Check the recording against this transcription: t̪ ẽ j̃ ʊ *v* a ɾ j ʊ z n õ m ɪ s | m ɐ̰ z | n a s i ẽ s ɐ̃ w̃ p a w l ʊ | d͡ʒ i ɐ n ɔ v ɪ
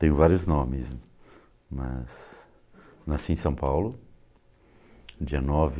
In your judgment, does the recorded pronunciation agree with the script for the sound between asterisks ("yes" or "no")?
yes